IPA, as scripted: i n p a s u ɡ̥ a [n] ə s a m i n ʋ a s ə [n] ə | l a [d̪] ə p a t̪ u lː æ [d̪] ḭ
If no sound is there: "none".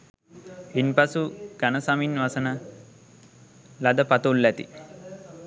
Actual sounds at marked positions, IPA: n, n, d̪, t̪

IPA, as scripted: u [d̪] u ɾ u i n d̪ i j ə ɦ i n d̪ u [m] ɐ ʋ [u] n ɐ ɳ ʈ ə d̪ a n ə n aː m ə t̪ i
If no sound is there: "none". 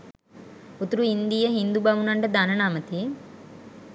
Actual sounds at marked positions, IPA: t̪, b, u

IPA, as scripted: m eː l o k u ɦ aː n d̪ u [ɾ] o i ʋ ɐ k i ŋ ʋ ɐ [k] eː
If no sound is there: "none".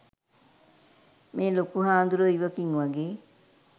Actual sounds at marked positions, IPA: ɾ, ɡ

